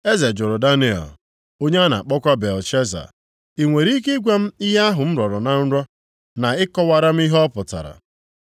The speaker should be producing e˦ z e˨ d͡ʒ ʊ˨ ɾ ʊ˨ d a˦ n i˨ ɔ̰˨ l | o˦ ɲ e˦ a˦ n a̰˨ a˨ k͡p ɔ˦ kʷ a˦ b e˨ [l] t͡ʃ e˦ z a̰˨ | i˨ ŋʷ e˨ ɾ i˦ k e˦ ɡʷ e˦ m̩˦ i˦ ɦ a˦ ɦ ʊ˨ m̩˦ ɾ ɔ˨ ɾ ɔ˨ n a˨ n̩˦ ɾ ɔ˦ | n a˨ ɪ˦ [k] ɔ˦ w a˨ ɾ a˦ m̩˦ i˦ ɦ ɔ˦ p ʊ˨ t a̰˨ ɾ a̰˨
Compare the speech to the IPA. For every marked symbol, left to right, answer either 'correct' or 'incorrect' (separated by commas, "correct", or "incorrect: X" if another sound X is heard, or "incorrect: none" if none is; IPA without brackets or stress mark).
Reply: correct, correct